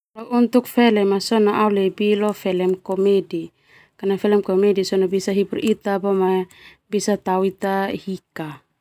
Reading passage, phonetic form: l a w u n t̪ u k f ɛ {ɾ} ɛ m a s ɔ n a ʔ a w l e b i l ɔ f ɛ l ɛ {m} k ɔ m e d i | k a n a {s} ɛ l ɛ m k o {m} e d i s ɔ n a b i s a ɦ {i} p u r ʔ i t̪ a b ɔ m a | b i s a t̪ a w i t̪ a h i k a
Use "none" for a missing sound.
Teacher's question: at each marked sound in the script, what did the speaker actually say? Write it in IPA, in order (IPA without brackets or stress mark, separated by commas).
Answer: l, m, f, m, i